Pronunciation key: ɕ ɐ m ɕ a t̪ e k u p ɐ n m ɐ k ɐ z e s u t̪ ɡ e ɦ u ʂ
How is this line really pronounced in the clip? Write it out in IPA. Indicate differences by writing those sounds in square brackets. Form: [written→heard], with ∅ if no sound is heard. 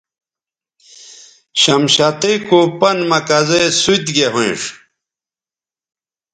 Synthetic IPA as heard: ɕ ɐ m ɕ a t̪ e k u p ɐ n m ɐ k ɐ z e s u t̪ ɡ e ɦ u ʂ

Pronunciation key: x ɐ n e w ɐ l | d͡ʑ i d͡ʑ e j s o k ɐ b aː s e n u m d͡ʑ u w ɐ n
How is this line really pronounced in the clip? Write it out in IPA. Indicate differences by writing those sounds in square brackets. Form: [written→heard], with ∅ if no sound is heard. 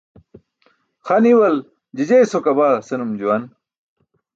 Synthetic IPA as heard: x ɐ n [e→i] w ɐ l | d͡ʑ i d͡ʑ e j s o k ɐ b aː s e n u m d͡ʑ u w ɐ n

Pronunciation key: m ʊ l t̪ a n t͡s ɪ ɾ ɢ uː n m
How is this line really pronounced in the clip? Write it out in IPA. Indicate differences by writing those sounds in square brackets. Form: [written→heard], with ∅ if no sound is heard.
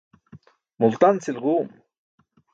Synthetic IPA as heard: m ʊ l t̪ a n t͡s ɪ [ɾ→l] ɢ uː [n→∅] m

